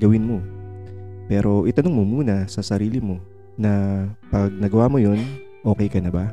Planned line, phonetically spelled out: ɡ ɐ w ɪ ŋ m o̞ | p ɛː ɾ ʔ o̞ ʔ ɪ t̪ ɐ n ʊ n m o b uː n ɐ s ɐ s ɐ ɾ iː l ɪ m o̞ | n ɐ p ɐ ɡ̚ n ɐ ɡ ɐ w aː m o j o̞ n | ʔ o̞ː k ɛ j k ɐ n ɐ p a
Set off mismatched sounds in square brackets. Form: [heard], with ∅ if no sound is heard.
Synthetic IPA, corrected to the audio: ɡ ɐ w ɪ [n] m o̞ | p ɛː ɾ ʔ o̞ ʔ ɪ t̪ ɐ n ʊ [ŋ] m o [m] uː n ɐ s ɐ s ɐ ɾ iː l ɪ m o̞ | n ɐ p ɐ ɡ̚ n ɐ ɡ ɐ w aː m o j o̞ n | ʔ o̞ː k ɛ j k ɐ n ɐ [b] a